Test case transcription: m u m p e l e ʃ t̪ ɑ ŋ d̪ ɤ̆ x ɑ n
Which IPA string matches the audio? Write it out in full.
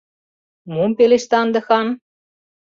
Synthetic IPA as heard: m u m p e l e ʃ t̪ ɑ n d̪ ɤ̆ x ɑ n

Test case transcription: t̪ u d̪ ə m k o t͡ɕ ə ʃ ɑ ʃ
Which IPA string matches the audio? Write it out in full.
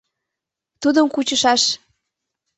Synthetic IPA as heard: t̪ u d̪ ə m k u t͡ɕ ə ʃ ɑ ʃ

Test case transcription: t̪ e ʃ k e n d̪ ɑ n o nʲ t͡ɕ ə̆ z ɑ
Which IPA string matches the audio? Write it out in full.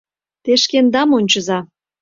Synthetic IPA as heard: t̪ e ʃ k e n d̪ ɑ m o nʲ t͡ɕ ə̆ z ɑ

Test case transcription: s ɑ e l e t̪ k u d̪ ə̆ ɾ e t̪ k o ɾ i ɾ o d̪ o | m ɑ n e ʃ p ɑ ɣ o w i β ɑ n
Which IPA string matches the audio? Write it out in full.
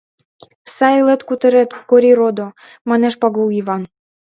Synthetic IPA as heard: s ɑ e l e t̪ k u t̪ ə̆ ɾ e t̪ k o ɾ i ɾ o d̪ o | m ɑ n e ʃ p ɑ ɣ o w i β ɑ n

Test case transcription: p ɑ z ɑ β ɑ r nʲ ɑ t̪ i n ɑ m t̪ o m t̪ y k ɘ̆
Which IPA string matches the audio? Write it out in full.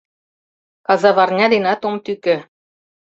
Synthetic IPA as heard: k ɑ z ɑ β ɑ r nʲ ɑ d̪ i n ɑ t̪ o m t̪ y k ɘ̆

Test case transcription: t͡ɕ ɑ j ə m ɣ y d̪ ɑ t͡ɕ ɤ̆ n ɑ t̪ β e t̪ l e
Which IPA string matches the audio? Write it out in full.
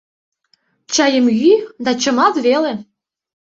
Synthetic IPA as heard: t͡ɕ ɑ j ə m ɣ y d̪ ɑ t͡ɕ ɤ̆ m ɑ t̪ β e l e

